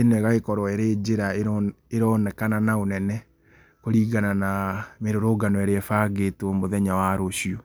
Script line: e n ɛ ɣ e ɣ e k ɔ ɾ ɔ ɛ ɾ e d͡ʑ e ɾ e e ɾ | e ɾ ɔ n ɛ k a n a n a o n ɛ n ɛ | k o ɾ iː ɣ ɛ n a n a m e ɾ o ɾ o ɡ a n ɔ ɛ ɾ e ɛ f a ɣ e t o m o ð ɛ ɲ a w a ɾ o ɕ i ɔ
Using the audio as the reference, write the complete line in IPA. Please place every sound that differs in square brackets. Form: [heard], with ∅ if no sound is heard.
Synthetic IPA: e n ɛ ɣ [a] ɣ e k ɔ ɾ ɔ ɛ ɾ e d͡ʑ e ɾ [a] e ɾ | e ɾ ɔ n ɛ k a n a n a o n ɛ n ɛ | k o ɾ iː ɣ [a] n a n a m e ɾ o ɾ o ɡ a n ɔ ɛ ɾ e ɛ f a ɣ e t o m o ð ɛ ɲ a w a ɾ o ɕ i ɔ